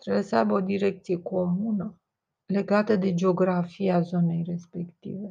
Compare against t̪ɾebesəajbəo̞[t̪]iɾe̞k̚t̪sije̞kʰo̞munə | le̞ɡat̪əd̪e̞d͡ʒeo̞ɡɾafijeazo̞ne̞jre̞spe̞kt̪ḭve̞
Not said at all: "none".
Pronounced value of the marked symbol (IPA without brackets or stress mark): d̪